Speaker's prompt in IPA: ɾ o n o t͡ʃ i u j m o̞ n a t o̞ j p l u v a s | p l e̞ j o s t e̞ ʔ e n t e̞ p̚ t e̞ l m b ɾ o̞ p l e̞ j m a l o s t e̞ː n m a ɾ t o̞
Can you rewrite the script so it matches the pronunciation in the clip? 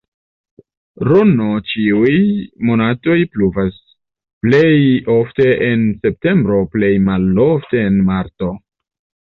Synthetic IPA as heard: ɾ o n o t͡ʃ i u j m o̞ n a t o̞ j p l u v a s | p l e̞ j o f t e̞ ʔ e n s e̞ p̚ t e̞ m b ɾ o̞ p l e̞ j m a l o f t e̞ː n m a ɾ t o̞